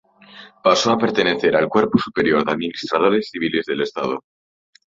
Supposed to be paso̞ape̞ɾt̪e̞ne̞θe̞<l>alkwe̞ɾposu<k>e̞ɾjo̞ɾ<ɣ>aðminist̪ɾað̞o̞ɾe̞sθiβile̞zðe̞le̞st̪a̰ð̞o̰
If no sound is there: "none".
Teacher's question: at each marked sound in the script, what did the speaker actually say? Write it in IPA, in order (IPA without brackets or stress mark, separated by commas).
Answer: ɾ, p, ð